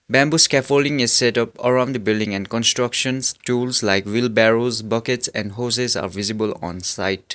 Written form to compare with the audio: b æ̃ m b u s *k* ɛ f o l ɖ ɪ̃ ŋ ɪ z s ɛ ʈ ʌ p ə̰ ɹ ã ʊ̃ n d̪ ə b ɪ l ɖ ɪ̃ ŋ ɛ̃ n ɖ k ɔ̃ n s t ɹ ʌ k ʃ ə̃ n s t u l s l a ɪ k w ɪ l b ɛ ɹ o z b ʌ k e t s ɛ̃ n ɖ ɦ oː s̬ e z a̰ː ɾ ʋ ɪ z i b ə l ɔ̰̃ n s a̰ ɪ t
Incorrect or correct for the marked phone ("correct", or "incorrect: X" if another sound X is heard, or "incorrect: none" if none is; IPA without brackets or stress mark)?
correct